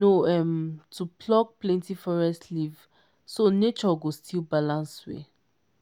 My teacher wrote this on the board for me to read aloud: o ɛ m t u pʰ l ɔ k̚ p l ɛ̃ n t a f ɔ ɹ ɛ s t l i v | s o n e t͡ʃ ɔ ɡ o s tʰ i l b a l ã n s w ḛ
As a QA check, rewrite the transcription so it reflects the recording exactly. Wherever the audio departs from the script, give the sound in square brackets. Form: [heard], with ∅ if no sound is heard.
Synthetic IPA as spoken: o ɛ m t u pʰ l ɔ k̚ p l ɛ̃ n t [i] f ɔ ɹ ɛ s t l i v | s o n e t͡ʃ ɔ ɡ o s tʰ i l b a l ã n s w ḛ